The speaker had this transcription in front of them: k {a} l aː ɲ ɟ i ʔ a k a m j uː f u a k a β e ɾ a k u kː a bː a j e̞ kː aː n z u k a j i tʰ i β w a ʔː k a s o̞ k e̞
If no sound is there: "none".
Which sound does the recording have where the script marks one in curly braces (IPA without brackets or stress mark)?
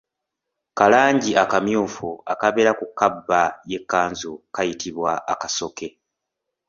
a